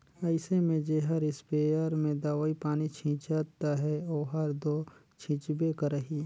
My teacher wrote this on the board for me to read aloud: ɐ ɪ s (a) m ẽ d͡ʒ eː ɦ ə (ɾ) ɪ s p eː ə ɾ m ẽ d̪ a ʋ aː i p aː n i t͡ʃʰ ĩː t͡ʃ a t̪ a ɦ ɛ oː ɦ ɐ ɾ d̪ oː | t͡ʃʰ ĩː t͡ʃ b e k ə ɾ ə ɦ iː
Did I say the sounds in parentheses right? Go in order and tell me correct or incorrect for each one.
incorrect: e, correct

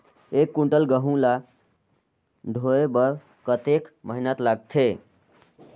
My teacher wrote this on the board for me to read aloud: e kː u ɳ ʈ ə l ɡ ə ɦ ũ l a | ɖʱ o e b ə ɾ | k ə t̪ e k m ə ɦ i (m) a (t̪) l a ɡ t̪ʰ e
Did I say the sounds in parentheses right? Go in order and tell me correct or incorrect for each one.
incorrect: n, correct

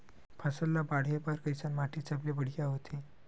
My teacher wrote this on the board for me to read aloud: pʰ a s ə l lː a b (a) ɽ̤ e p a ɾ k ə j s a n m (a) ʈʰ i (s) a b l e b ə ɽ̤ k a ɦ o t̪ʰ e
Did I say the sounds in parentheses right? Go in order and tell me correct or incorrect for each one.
correct, correct, incorrect: t͡s

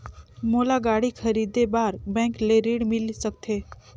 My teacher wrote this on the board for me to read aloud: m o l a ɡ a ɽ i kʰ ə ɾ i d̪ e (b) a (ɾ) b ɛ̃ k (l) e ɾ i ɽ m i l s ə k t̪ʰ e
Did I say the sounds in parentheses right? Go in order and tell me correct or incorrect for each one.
correct, correct, correct

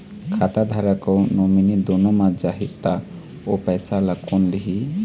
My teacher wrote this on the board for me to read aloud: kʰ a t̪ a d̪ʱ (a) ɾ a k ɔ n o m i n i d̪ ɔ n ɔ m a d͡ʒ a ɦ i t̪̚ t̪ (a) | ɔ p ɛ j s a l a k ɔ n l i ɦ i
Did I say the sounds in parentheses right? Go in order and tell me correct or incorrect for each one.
correct, correct

